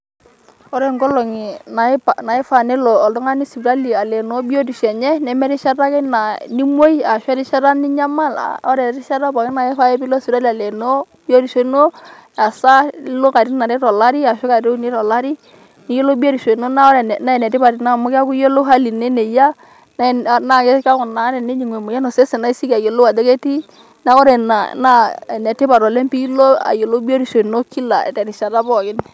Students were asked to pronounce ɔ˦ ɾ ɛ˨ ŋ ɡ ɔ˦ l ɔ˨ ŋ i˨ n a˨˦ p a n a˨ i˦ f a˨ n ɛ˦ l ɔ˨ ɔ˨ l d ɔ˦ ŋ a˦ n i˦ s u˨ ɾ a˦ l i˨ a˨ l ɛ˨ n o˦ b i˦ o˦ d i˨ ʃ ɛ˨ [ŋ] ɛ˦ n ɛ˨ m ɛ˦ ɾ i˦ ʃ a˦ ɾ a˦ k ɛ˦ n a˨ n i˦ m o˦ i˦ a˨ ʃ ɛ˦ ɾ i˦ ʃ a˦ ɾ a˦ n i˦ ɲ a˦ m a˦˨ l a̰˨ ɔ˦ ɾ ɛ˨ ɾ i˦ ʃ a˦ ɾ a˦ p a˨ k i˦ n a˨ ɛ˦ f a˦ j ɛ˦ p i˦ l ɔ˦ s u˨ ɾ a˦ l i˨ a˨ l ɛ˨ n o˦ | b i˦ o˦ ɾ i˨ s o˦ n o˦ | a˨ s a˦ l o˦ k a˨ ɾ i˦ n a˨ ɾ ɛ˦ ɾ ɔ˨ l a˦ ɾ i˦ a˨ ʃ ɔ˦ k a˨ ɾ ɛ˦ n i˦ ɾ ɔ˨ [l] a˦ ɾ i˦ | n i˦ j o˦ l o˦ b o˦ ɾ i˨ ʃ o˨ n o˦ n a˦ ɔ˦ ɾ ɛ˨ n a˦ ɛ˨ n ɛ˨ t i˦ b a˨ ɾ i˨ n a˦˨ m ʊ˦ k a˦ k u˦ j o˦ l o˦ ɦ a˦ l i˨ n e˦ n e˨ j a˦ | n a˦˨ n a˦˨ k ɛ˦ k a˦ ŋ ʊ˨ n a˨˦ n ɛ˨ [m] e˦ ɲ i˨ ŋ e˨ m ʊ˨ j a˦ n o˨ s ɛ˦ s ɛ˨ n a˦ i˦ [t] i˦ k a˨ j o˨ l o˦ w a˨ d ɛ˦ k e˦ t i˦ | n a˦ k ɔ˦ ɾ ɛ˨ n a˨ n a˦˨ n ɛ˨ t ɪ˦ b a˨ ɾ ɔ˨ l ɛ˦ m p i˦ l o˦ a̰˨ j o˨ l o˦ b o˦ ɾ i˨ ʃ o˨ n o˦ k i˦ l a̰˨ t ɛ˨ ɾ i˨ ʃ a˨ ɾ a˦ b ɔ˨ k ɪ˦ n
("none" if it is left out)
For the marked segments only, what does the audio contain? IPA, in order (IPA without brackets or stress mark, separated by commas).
ɲ, l, n, s